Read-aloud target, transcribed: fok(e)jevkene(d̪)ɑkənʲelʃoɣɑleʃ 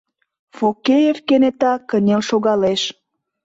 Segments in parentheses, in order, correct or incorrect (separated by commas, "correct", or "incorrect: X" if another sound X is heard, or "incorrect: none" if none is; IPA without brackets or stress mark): correct, incorrect: t̪